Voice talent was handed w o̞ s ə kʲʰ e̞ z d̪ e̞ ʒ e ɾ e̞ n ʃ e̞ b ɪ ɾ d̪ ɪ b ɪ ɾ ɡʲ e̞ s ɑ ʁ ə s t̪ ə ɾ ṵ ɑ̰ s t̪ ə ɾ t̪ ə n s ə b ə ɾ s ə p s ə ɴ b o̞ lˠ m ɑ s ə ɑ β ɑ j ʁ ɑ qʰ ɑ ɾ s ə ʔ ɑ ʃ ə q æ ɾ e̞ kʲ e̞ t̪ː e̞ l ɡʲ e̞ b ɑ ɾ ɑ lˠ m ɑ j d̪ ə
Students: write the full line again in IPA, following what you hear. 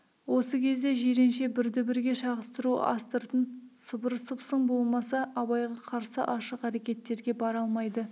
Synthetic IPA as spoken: w o̞ s ə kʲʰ e̞ z d̪ e̞ ʒ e ɾ e̞ n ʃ e̞ b ɪ ɾ d̪ ɪ b ɪ ɾ ɡʲ e̞ ʃ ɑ ʁ ə s t̪ ə ɾ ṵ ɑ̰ s t̪ ə ɾ t̪ ə n s ə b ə ɾ s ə p s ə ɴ b o̞ lˠ m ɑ s ɑ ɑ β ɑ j ʁ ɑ qʰ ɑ ɾ s ə ʔ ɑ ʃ ə q æ ɾ e̞ kʲ e̞ t̪ː e̞ ɾ ɡʲ e̞ b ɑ ɾ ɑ lˠ m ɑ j d̪ ə